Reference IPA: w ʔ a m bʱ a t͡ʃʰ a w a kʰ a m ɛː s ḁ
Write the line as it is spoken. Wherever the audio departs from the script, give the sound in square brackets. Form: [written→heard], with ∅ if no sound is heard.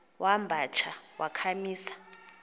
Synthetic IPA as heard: w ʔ a m bʱ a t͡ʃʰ a w a kʰ a m [ɛː→iː] s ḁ